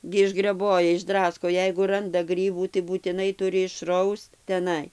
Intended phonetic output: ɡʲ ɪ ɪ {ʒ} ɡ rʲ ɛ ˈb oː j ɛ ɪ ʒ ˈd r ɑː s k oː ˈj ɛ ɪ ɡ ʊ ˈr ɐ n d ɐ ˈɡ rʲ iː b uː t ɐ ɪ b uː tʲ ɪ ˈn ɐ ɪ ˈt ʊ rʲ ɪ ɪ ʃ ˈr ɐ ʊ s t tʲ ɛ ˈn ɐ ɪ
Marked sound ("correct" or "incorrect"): correct